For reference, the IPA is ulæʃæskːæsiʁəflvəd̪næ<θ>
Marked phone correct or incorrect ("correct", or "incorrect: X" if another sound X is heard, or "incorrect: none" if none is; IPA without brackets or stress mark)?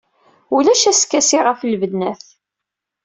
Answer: correct